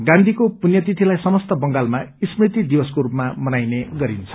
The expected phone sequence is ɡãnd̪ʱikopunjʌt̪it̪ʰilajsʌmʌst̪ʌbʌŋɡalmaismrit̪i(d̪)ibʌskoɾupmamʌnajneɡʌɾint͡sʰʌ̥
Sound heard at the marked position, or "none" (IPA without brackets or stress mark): d̪